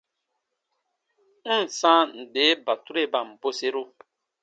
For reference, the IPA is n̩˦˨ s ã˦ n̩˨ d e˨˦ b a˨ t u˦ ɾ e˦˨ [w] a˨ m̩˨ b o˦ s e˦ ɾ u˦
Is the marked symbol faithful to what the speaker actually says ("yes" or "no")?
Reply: no